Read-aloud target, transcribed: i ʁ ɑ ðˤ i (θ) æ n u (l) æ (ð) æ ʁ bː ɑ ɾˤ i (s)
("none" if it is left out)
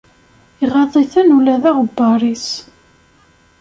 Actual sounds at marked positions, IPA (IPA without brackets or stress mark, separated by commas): θ, l, ð, s